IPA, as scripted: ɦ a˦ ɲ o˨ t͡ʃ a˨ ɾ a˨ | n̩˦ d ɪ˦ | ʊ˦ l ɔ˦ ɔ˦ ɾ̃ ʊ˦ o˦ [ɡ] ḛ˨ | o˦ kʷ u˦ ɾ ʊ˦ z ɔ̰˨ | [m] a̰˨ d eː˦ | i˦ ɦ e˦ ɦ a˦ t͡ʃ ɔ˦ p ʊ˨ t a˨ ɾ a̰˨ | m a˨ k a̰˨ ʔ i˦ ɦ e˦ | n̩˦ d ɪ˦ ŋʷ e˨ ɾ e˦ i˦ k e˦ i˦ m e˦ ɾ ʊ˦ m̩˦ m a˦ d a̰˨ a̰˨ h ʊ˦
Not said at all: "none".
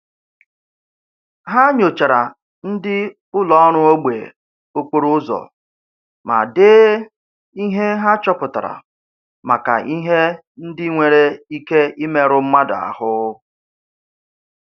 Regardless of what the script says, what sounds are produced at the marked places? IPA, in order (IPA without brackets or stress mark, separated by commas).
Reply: ɡ͡b, m